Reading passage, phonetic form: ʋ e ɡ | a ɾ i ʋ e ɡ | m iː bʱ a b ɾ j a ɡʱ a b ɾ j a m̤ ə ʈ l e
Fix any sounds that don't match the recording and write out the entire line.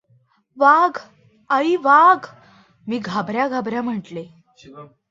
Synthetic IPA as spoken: ʋ a ɡ | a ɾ i ʋ a ɡ | m iː ɡʱ a b ɾ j a ɡʱ a b ɾ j a m̤ ə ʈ l e

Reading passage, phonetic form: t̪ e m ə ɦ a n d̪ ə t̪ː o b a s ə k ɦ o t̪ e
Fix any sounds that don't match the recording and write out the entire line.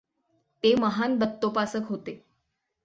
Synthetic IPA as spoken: t̪ e m ə ɦ a n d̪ ə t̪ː o p a s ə k ɦ o t̪ e

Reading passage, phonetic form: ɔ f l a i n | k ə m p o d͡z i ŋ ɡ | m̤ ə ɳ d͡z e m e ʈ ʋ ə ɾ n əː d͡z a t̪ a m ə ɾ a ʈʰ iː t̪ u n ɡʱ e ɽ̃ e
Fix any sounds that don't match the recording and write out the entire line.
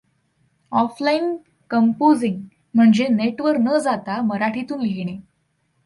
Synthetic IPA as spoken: ɔ f l a i n | k ə m p o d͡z i ŋ ɡ | m̤ ə ɳ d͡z e n e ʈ ʋ ə ɾ n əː d͡z a t̪ a m ə ɾ a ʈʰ i t̪ uː n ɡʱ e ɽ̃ e

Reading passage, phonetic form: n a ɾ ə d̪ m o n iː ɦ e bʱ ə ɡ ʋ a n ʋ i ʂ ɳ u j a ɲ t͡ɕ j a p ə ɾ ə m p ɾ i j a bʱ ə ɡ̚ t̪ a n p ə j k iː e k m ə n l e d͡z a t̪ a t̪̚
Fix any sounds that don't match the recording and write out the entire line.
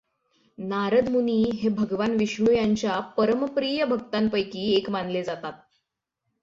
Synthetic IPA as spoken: n a ɾ ə d̪ m u n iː ɦ e bʱ ə ɡ ʋ a n ʋ i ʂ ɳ u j a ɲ t͡ɕ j a p ə ɾ ə m p ɾ i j ə bʱ ə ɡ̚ t̪ a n p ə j k iː e k m a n l e d͡z a t̪ a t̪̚

